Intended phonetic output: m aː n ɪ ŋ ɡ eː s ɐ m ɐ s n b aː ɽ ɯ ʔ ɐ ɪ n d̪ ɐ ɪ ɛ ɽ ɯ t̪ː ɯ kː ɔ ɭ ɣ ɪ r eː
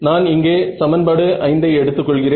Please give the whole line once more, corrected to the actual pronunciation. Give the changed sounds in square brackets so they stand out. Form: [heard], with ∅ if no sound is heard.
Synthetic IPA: [n] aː n ɪ ŋ ɡ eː s ɐ m ɐ [∅] n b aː ɽ ɯ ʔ ɐ ɪ n d̪ ɐ ɪ ɛ ɽ ɯ t̪ː ɯ kː ɔ ɭ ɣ ɪ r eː